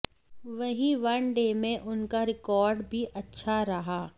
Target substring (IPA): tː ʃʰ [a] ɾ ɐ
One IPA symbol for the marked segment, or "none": a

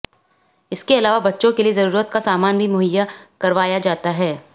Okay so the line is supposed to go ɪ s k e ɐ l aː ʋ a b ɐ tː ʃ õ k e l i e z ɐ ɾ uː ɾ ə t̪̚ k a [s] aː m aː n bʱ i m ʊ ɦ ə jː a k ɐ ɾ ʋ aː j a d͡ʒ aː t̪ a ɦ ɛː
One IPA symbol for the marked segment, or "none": s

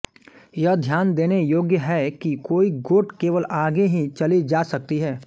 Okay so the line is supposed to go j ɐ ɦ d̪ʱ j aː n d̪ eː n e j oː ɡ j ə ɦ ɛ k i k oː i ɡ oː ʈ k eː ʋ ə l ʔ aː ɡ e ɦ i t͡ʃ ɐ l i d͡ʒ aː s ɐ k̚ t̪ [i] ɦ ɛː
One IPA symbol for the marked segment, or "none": i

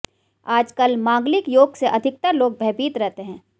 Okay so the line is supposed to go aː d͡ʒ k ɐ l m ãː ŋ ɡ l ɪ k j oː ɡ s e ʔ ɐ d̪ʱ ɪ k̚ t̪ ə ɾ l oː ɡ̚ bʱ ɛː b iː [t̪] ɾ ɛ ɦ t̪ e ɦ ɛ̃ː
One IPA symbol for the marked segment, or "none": t̪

